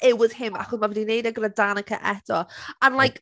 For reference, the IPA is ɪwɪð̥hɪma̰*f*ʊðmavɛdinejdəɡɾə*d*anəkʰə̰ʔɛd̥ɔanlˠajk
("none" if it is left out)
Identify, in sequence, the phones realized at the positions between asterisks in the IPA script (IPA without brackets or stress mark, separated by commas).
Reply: χ, d